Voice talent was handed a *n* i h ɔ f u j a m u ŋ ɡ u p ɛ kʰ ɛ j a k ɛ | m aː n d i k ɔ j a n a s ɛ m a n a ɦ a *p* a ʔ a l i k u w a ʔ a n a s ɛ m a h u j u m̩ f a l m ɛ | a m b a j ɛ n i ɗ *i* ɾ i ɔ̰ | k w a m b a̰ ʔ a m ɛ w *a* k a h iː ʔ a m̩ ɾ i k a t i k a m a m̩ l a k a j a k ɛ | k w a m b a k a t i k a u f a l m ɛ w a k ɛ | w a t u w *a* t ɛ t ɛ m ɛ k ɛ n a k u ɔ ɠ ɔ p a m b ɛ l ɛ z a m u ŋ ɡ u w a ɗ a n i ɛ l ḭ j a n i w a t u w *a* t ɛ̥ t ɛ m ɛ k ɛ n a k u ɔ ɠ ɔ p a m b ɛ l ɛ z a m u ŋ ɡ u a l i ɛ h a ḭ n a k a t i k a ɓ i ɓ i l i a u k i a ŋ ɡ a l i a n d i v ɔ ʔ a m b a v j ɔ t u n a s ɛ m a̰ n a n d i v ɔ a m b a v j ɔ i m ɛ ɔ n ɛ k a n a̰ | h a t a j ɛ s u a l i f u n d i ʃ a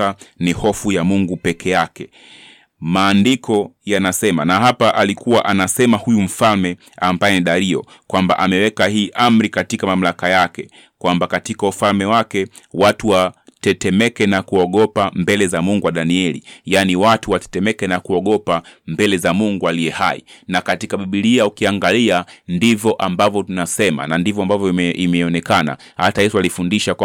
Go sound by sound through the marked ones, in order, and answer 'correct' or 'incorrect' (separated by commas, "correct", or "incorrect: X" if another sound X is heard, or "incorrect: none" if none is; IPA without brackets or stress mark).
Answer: correct, correct, incorrect: a, incorrect: ɛ, correct, correct